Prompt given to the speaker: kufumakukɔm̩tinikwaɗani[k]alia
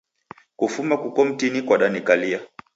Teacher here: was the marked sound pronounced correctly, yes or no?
yes